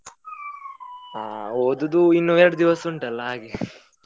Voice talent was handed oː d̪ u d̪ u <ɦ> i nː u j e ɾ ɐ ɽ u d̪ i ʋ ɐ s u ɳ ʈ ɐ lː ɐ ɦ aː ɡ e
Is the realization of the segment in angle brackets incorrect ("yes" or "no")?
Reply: yes